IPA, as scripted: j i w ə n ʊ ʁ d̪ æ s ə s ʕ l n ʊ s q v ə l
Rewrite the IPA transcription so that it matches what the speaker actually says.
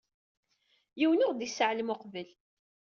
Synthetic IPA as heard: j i w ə n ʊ ʁ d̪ i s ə ʕ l m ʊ q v ə l